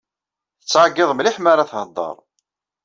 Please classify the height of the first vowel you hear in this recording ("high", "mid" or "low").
mid